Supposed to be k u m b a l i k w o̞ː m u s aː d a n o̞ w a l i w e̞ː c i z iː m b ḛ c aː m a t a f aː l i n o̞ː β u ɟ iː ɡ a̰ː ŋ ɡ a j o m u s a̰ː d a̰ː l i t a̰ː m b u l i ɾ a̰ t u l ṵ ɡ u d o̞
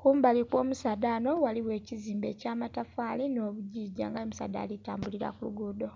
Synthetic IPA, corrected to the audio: k u m b a l i k w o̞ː m u s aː d a n o̞ w a l i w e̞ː c i z iː m b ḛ c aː m a t a f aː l i n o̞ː β u ɟ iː ɟ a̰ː ŋ ɡ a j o m u s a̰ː d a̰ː l i t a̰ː m b u l i ɾ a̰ k u l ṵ ɡ u d o̞